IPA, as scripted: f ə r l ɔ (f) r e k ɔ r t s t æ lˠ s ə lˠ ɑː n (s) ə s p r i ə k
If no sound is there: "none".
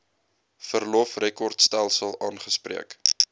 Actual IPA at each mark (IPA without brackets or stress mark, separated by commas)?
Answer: f, χ